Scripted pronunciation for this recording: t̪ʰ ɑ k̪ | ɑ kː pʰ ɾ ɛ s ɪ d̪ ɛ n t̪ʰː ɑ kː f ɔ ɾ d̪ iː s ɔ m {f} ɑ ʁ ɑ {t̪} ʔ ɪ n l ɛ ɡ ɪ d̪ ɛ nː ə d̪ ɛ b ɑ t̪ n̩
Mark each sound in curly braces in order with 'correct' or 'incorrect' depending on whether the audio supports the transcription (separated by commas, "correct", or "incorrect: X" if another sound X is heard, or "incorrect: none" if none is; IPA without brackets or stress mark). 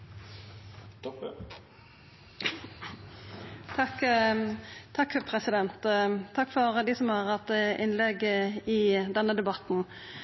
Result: incorrect: h, correct